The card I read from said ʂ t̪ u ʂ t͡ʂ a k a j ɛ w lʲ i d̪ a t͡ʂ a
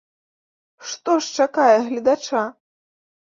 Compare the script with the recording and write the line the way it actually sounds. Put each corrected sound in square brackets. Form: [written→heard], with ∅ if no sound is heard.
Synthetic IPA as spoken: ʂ t̪ [u→ɔ] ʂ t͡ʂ a k a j ɛ [w→ɣ] lʲ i d̪ a t͡ʂ a